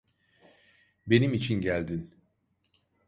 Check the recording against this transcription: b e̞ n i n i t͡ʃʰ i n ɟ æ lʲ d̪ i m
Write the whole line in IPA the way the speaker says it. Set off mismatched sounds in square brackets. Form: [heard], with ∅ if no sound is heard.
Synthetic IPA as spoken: b e̞ n i [m] i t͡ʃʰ i n ɟ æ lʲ d̪ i [n]

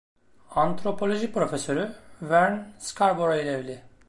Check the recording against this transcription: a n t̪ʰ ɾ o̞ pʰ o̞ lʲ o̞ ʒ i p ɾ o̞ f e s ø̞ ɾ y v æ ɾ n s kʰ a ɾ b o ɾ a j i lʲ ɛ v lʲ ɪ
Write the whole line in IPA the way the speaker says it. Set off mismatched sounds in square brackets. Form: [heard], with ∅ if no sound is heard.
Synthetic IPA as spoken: a n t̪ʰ ɾ o̞ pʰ o̞ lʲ o̞ ʒ i p ɾ o̞ f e s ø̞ ɾ y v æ ɾ n s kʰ a ɾ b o ɾ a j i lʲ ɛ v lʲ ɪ

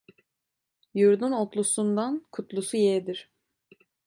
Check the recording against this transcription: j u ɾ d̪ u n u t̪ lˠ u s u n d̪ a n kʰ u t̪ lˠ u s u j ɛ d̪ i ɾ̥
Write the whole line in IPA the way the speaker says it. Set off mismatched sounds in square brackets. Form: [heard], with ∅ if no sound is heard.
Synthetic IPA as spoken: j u ɾ d̪ u n [o] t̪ lˠ u s u n d̪ a n kʰ u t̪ lˠ u s u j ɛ d̪ i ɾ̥

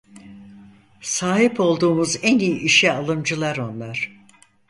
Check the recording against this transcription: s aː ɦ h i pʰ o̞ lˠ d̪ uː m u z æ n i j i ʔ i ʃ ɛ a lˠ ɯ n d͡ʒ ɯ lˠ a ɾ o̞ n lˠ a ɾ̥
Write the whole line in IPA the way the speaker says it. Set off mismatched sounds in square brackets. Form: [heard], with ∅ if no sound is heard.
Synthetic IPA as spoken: s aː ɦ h i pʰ o̞ lˠ d̪ uː m u z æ n i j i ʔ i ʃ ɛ a lˠ ɯ [m] d͡ʒ ɯ lˠ a ɾ o̞ n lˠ a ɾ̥

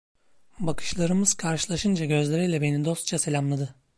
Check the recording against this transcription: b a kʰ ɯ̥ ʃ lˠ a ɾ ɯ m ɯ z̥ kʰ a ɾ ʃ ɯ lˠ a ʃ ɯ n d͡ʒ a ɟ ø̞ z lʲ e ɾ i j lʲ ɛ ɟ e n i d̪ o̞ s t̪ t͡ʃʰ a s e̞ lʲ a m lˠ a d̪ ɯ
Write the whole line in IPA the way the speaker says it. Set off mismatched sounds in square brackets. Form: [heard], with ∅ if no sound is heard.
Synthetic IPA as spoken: b a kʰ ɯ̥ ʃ lˠ a ɾ ɯ m ɯ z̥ kʰ a ɾ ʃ ɯ lˠ a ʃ ɯ n d͡ʒ a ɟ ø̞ z lʲ e ɾ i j lʲ ɛ [b] e n i d̪ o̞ s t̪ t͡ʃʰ a s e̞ lʲ a m lˠ a d̪ ɯ

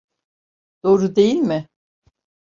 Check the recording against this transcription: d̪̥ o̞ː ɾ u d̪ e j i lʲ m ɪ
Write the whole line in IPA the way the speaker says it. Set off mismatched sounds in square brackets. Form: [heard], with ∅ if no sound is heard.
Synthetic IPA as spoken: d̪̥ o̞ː ɾ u d̪ e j i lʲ m ɪ

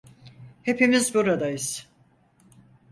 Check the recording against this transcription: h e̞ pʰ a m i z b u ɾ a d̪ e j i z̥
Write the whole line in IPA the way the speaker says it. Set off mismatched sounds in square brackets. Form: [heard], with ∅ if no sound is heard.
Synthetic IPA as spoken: h e̞ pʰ [i] m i z b u ɾ a d̪ [a] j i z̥

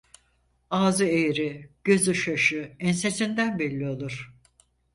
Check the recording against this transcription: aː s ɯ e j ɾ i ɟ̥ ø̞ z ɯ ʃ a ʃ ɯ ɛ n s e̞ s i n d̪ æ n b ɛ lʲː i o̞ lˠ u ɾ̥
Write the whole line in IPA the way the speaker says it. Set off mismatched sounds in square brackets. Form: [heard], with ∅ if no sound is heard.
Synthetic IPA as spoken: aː [z] ɯ e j ɾ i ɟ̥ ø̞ z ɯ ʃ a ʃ ɯ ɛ n s e̞ s i n d̪ æ n b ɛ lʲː i o̞ lˠ u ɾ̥

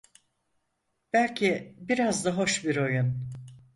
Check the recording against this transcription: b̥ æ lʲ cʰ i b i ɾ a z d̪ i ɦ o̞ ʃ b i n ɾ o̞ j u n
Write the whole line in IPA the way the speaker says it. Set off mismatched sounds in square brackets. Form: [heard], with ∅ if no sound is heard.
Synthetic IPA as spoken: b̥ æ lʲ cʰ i b i ɾ a z d̪ [a] ɦ o̞ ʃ b i [∅] ɾ o̞ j u n

